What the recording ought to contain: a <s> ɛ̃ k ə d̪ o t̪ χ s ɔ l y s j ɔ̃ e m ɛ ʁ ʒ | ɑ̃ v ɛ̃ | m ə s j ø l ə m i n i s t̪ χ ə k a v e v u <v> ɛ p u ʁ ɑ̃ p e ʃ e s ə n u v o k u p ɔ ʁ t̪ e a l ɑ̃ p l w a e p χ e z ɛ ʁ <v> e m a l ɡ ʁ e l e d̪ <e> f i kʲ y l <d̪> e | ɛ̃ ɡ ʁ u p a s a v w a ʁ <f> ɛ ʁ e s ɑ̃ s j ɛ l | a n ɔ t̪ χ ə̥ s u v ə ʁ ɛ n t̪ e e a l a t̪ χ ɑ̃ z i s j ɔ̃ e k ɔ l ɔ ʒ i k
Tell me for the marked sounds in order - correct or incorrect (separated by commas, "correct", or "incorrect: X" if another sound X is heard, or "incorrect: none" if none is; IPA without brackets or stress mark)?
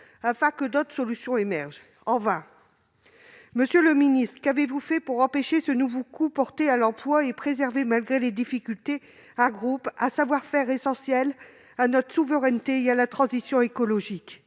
incorrect: f, incorrect: f, correct, incorrect: i, incorrect: t̪, correct